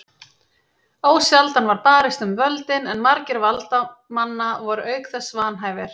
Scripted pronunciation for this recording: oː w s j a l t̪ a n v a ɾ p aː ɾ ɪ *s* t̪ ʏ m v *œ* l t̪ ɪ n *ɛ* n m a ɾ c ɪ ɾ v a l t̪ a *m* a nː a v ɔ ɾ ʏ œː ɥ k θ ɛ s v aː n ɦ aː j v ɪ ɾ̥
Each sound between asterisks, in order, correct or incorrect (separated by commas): correct, correct, correct, correct